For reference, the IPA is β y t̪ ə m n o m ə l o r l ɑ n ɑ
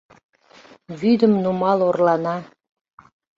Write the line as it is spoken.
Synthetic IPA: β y d̪ ə m n u m ɑ l o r l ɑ n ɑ